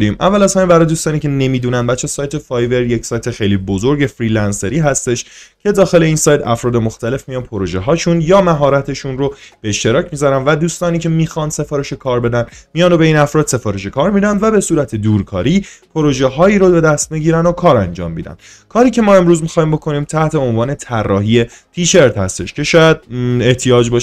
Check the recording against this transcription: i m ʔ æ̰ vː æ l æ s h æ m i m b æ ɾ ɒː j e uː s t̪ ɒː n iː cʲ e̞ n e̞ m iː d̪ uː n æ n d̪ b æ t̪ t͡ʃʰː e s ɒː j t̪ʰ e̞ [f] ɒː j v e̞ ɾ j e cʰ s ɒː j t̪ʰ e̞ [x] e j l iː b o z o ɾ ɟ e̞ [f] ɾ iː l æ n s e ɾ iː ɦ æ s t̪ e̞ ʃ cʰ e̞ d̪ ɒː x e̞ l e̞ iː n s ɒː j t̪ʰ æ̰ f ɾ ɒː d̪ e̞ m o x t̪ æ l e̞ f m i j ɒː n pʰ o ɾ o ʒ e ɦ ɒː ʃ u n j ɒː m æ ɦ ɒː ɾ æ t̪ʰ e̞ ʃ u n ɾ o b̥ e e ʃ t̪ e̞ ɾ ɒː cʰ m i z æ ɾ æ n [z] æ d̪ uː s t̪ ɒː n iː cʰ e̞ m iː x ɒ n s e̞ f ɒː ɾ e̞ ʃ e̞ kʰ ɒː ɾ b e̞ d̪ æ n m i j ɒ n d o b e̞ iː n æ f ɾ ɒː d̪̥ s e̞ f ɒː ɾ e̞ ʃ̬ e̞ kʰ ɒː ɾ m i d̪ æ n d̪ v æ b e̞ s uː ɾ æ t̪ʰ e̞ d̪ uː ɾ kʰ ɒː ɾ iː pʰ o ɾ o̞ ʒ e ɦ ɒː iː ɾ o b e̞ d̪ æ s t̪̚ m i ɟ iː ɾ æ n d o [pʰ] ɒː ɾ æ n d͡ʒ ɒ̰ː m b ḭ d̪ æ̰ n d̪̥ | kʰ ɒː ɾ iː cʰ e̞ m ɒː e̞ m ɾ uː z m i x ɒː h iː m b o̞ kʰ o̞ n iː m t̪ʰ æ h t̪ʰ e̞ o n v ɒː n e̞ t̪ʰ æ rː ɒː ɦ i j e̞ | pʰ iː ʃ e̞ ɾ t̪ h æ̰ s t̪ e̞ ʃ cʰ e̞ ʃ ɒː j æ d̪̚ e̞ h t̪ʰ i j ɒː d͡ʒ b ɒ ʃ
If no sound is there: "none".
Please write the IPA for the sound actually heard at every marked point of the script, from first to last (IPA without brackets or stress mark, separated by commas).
f, x, f, v, kʰ